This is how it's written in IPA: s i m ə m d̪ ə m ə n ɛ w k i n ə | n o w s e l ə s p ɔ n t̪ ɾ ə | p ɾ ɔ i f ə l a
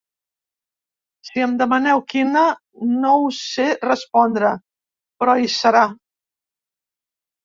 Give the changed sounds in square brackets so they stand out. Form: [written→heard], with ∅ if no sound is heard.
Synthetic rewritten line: s i [m→∅] ə m d̪ ə m ə n ɛ w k i n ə | n o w s e [l→r] ə s p ɔ n [t̪→d̪] ɾ ə | p ɾ ɔ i [f→s] ə [l→ɾ] a